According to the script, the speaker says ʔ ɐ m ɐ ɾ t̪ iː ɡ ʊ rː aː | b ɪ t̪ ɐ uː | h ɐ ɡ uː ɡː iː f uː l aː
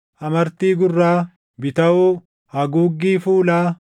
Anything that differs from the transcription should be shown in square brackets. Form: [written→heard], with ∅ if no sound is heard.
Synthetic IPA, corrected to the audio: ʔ ɐ m ɐ ɾ t̪ iː ɡ ʊ rː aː | b ɪ t̪ ɐ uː | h ɐ ɡ uː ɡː iː f uː l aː

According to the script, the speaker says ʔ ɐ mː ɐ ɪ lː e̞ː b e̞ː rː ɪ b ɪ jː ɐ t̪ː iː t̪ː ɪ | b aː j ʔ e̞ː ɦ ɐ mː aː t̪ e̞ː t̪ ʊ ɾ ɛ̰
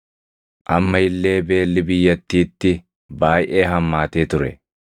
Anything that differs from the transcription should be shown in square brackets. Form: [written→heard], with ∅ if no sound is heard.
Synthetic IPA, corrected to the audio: ʔ ɐ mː ɐ ɪ lː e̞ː b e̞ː [rː→lː] ɪ b ɪ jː ɐ t̪ː iː t̪ː ɪ | b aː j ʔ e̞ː ɦ ɐ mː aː t̪ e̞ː t̪ ʊ ɾ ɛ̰

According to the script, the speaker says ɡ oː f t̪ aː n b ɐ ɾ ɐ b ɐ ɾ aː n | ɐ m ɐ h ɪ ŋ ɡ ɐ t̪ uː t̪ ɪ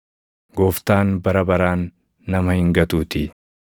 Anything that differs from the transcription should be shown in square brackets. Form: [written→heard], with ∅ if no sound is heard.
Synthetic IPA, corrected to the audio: ɡ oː f t̪ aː n b ɐ ɾ ɐ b ɐ ɾ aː [n→nː] | ɐ m ɐ h ɪ ŋ ɡ ɐ t̪ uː t̪ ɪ

